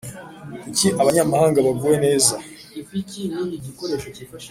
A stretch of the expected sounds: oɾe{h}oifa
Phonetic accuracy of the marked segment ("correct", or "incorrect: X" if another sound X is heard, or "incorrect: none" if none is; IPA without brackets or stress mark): incorrect: ʃ